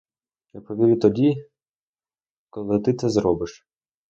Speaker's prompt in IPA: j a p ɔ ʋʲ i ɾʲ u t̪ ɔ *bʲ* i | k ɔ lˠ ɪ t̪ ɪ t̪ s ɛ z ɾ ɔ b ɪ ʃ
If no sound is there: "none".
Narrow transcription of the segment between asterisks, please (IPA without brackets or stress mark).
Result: dʲ